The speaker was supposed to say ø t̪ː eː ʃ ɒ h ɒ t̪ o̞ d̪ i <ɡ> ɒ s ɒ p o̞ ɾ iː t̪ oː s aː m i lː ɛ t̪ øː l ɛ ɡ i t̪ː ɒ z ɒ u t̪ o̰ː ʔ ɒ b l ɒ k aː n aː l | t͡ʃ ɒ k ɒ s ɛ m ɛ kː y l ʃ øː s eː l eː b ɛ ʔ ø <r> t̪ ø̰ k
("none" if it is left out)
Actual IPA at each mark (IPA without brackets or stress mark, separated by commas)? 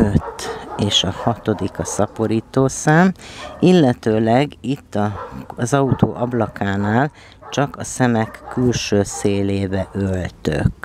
k, l